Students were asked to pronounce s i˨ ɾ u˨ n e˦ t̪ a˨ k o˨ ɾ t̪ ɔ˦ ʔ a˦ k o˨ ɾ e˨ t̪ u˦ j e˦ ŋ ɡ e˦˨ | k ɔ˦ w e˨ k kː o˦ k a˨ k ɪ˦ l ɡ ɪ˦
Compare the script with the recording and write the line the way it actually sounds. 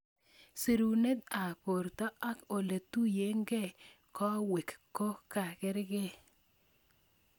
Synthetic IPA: s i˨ ɾ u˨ n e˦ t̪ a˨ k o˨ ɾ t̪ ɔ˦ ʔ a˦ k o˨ l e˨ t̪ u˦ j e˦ ŋ ɡ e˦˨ | k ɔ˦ w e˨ k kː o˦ k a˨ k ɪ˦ ɾ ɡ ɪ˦

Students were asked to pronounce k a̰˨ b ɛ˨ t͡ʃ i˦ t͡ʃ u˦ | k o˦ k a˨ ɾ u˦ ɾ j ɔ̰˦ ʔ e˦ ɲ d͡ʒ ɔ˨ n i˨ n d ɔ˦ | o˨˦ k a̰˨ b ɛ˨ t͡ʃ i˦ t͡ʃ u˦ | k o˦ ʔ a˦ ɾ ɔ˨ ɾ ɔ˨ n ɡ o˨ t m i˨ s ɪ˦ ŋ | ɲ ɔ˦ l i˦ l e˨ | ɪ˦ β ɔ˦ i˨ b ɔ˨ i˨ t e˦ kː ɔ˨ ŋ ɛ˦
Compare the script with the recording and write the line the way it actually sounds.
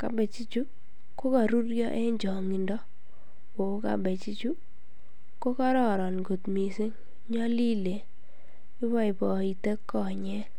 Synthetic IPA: k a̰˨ b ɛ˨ t͡ʃ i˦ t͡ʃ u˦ | k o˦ k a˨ ɾ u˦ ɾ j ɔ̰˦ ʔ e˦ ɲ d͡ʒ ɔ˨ ŋ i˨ n d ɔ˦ | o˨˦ k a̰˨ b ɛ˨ t͡ʃ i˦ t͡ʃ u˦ | k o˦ k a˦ ɾ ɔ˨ ɾ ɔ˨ n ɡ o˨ t m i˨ s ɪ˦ ŋ | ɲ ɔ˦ l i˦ l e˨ | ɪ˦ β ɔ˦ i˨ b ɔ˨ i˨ t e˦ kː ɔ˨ ɲ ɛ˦

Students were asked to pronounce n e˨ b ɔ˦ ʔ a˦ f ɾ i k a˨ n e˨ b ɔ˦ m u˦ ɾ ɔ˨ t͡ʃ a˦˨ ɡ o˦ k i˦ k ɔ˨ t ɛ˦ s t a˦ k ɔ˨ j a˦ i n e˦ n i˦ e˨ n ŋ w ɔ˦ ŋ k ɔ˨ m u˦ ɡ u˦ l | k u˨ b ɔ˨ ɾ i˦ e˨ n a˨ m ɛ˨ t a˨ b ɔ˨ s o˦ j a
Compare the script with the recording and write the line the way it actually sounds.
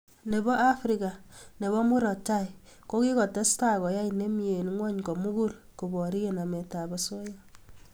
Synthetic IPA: n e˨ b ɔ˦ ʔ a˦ f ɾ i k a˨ n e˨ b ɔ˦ m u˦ ɾ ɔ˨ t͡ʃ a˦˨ k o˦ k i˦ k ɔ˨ t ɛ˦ s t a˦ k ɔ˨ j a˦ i n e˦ m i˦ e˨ n ŋ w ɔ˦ ɲ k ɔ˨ m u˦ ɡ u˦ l | k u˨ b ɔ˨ ɾ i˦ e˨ n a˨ m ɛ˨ t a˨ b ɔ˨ s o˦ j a

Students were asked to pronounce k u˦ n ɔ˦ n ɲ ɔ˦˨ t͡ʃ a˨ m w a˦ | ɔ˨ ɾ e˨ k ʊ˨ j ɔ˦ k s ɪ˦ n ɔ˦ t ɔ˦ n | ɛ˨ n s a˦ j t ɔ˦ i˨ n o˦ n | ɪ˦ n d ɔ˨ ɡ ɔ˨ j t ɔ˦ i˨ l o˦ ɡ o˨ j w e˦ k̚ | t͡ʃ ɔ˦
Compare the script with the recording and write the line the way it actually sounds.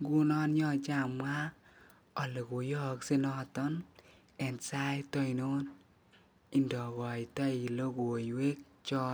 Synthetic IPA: ɡ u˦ n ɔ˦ n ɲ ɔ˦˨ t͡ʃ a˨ m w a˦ | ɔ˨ l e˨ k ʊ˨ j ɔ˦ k s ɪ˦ n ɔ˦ t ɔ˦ n | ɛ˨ n s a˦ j t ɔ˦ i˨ n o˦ n | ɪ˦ n d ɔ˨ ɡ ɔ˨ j t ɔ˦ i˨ l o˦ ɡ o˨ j w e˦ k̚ | t͡ʃ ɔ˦

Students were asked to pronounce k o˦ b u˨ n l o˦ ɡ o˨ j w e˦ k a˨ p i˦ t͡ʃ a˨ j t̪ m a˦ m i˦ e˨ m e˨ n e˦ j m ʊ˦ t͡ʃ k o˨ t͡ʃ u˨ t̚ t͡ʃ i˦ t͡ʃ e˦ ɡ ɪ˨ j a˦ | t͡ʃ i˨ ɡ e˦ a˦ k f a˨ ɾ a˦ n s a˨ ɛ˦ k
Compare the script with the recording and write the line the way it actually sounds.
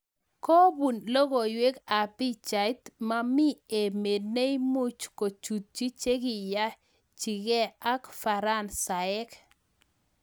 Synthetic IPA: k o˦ b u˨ n l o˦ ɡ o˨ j w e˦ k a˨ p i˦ t͡ʃ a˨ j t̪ m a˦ m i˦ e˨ m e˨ n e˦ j m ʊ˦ t͡ʃ k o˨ t͡ʃ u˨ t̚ t͡ʃ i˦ t͡ʃ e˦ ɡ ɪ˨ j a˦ | t͡ʃ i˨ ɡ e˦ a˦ k f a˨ ɾ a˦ n s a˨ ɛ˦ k

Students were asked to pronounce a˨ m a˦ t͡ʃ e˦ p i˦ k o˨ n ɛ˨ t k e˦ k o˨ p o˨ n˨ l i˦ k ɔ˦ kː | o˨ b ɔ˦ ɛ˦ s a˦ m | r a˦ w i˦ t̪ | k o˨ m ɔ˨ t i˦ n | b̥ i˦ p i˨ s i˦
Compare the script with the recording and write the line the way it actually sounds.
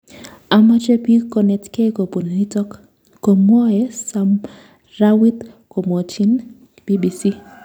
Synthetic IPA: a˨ m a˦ t͡ʃ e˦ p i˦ k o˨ n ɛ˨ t k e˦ k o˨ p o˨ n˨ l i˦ t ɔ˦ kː | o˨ m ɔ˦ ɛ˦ s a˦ m | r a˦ w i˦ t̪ | k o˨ m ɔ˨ t͡ʃ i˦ n | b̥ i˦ b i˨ s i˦

